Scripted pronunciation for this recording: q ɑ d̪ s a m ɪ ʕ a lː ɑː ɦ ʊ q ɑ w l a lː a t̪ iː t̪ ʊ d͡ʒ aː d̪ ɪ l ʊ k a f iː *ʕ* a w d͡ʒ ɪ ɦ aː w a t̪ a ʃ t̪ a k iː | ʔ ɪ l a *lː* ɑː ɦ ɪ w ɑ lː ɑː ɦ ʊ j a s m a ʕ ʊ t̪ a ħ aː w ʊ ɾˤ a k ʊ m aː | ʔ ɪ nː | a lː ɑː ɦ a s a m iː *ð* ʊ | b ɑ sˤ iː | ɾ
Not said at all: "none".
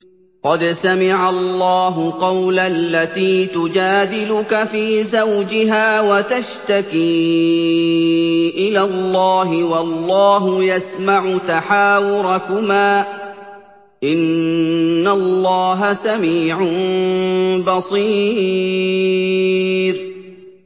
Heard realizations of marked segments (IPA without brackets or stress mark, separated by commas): z, lː, ʕ